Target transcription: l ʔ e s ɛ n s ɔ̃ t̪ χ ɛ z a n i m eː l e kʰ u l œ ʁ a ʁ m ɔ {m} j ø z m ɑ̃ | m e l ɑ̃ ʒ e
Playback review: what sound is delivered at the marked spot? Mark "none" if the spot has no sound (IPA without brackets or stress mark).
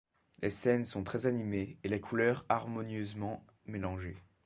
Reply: n